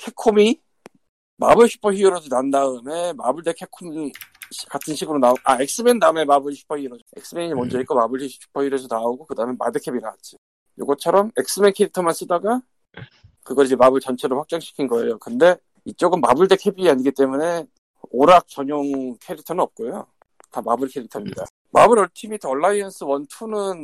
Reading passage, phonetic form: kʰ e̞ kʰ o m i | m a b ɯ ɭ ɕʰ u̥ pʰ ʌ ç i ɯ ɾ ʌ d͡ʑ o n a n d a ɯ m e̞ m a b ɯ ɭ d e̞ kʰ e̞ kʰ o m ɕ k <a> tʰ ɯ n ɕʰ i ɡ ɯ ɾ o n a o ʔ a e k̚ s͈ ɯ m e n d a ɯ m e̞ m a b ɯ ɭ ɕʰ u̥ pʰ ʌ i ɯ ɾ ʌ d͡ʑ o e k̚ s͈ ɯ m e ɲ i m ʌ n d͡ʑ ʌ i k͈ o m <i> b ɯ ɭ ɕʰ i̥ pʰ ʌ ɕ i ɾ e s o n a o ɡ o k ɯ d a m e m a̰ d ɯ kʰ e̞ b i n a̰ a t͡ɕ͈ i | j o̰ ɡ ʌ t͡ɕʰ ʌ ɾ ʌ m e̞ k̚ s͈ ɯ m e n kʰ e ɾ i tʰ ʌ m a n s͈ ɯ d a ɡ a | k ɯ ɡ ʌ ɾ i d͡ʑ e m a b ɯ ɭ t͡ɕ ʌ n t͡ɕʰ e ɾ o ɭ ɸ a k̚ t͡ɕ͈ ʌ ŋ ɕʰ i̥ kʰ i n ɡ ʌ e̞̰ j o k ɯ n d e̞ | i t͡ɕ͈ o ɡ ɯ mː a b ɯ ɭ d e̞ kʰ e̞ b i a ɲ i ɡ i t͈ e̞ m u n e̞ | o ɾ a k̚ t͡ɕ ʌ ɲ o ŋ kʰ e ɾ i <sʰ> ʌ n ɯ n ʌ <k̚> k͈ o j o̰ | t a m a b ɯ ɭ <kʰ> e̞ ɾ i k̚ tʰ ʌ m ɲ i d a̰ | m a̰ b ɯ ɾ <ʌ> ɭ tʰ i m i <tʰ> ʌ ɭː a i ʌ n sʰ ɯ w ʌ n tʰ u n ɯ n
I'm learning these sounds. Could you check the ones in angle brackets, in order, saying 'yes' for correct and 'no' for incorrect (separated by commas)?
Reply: yes, no, no, no, yes, yes, yes